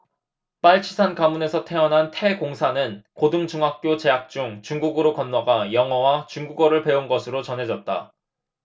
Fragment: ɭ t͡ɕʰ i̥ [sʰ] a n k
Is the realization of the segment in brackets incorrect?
no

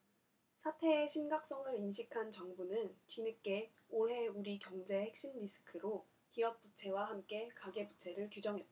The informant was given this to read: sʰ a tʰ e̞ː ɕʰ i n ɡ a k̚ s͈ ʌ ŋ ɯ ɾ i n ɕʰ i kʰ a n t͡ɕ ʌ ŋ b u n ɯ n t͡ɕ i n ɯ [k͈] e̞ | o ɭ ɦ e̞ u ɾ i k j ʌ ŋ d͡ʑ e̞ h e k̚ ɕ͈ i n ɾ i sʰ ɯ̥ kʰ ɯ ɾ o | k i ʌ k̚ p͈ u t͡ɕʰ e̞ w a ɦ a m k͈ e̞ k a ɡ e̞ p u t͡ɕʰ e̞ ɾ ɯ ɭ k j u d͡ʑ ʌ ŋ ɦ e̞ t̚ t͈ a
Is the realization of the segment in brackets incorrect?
no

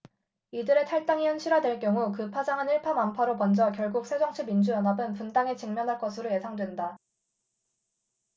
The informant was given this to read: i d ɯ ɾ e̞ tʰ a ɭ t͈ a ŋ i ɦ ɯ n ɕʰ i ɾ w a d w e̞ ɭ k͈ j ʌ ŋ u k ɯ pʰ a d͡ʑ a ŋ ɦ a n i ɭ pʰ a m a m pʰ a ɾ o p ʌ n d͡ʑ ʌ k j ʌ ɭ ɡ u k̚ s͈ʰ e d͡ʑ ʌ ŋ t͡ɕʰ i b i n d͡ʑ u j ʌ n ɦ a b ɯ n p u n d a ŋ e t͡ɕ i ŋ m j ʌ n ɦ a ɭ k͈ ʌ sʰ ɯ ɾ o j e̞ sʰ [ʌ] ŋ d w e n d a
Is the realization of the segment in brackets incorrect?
yes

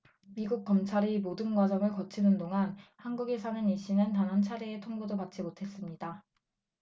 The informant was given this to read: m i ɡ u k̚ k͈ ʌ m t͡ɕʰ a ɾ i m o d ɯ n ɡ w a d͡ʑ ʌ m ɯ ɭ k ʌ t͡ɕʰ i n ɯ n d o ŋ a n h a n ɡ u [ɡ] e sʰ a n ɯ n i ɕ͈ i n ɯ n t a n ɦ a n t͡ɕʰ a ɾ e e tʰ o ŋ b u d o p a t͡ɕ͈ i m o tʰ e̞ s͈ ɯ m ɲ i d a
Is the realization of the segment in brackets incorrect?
no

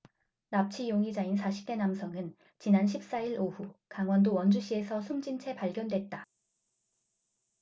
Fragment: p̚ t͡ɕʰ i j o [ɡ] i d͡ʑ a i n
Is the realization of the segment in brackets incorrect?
yes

